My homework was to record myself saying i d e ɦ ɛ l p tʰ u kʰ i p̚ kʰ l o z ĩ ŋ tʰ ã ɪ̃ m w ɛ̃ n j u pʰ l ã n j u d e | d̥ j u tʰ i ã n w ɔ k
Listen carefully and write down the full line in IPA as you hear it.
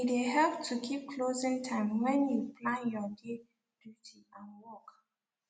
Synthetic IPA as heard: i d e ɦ ɛ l p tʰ u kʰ i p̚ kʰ l o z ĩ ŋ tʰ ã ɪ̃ m w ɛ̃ n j u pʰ l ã n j ɔ d e | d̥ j u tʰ i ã n w ɔ k

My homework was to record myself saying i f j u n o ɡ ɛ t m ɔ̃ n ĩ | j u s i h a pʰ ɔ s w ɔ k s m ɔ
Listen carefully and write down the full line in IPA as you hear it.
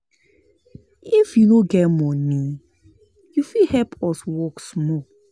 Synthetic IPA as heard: i f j u n o ɡ ɛ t m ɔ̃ n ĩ | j u f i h ɛ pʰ ɔ s w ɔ k s m ɔ

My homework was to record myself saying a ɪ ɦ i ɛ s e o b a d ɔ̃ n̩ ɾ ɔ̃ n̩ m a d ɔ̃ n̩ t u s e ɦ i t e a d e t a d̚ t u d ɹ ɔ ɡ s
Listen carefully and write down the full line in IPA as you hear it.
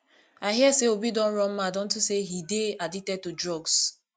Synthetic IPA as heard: a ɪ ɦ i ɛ s e o b i d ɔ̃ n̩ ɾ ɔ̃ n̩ m a d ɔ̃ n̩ t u s e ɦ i d e a d i t ɛ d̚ t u d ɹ ɔ ɡ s

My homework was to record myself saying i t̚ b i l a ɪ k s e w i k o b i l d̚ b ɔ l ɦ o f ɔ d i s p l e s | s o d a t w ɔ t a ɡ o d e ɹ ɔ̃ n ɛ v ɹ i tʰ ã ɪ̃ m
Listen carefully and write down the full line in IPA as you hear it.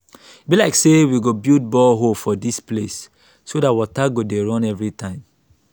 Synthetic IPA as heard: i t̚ b i l a ɪ k s e w i ɡ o b i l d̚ b ɔ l ɦ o f ɔ d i s p l e s | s o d a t w ɔ t a ɡ o d e ɹ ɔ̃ n ɛ v ɹ i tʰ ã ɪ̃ m

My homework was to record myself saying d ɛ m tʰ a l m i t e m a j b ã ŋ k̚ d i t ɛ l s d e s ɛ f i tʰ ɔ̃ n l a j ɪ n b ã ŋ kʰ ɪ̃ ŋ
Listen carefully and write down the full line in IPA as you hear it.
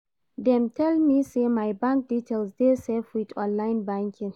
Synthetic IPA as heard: d ɛ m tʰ ɛ l m i s e m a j b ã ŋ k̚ d i t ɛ l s d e s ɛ f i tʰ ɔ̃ n l a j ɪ n b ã ŋ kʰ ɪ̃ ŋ

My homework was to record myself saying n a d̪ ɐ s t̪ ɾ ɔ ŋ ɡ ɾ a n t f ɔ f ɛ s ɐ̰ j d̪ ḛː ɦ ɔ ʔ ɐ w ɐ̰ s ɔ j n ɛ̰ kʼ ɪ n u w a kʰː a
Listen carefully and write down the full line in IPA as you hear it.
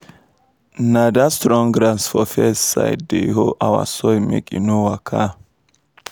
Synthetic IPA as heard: n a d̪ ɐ s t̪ ɾ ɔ ŋ ɡ ɾ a n s f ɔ f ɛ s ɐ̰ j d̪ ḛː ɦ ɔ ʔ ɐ w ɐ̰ s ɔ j m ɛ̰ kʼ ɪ n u w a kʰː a

